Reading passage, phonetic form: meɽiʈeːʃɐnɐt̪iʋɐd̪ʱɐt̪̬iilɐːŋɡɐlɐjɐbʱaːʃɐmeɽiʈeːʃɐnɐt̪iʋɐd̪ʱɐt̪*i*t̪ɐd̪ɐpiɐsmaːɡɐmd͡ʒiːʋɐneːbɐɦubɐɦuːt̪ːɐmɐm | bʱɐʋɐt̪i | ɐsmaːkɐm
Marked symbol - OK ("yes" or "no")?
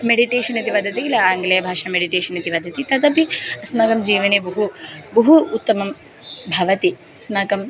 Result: yes